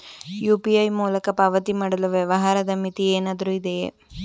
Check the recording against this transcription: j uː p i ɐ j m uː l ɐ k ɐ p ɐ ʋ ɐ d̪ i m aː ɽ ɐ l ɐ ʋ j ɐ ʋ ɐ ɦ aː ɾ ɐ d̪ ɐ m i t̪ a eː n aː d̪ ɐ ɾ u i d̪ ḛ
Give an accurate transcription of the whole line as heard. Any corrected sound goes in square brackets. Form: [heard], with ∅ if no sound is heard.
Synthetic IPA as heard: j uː p i ɐ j m uː l ɐ k ɐ p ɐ ʋ ɐ [t̪] i m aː ɽ ɐ l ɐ ʋ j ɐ ʋ ɐ ɦ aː ɾ ɐ d̪ ɐ m i t̪ [i] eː n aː d̪ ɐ ɾ u i d̪ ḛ